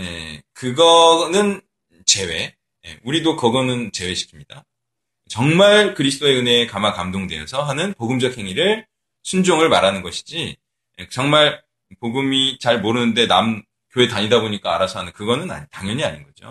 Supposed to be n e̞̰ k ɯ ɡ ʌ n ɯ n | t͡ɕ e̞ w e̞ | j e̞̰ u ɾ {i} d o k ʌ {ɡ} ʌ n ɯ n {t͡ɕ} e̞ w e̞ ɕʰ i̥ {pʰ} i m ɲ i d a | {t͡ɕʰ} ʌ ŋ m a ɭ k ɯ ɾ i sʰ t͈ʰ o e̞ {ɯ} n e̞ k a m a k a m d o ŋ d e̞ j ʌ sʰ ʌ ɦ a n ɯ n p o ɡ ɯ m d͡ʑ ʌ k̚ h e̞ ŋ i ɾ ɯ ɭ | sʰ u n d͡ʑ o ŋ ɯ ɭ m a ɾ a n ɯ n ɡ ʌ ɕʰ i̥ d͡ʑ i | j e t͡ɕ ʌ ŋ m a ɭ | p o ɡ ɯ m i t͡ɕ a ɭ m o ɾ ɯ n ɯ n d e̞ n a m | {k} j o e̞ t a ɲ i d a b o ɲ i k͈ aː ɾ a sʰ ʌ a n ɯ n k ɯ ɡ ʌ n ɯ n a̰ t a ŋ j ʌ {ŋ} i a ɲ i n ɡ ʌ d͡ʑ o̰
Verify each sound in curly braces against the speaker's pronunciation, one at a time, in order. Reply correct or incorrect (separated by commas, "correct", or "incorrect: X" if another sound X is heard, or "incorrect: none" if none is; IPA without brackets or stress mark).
correct, correct, correct, incorrect: kʰ, incorrect: t͡ɕ, correct, correct, incorrect: ɲ